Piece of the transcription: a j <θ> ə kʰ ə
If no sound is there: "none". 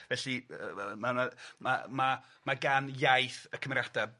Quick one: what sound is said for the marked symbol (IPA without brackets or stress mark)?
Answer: θ